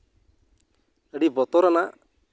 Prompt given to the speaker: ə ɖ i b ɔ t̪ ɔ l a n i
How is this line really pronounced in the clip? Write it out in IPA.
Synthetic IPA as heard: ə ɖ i b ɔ t̪ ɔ ɾ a n a